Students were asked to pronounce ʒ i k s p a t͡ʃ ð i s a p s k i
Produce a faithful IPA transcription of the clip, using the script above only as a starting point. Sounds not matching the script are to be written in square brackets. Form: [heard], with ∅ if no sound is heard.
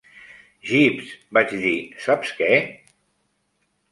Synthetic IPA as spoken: ʒ i [p] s [b] a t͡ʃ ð i s a p s k [ɛ]